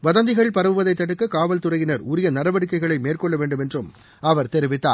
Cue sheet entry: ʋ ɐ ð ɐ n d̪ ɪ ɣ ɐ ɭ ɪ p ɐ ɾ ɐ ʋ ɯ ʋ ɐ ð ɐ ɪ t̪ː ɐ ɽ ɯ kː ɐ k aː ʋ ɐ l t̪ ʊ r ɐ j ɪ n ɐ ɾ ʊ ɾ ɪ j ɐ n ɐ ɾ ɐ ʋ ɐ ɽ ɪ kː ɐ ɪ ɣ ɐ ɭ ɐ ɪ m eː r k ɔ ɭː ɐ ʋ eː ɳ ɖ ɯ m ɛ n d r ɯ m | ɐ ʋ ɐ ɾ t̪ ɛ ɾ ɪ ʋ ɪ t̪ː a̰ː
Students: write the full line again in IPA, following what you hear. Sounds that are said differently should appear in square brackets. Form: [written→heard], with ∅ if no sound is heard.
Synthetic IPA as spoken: ʋ ɐ ð ɐ n d̪ ɪ ɣ ɐ ɭ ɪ p ɐ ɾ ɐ ʋ ɯ ʋ ɐ ð ɐ ɪ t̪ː ɐ ɽ ɯ kː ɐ k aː ʋ ɐ l t̪ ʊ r ɐ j ɪ n ɐ ɾ ʊ ɾ ɪ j ɐ n ɐ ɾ ɐ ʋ ɐ ɽ ɪ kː ɐ ɪ ɣ ɐ ɭ ɐ ɪ m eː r k ɔ ɭː ɐ ʋ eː ɳ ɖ ɯ m ɛ n d r ɯ m | ɐ ʋ ɐ ɾ t̪ ɛ ɾ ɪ ʋ ɪ t̪ː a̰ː